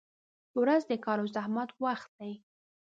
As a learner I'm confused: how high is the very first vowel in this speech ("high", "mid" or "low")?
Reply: low